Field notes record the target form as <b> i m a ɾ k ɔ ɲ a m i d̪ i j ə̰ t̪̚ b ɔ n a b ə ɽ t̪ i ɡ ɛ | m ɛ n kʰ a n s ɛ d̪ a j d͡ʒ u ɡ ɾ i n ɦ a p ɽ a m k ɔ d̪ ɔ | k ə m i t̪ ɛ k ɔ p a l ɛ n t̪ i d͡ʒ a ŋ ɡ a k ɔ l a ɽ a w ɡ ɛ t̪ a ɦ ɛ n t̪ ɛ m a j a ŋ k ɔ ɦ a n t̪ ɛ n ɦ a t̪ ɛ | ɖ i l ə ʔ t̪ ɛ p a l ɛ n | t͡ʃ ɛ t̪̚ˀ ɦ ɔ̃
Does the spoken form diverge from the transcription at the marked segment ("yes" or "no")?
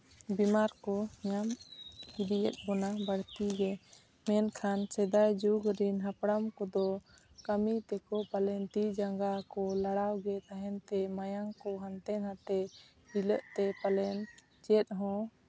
no